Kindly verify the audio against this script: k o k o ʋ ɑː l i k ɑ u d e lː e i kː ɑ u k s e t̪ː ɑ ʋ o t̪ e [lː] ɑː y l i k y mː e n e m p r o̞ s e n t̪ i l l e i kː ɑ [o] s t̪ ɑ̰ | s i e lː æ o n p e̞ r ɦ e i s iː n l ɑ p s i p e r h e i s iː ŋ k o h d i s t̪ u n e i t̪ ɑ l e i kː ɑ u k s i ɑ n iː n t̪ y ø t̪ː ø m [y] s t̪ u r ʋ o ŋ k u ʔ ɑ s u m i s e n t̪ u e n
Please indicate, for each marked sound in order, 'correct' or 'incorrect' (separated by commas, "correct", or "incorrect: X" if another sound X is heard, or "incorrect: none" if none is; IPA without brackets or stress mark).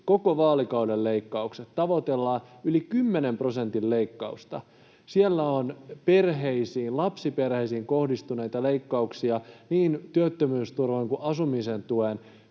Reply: correct, incorrect: u, incorrect: yː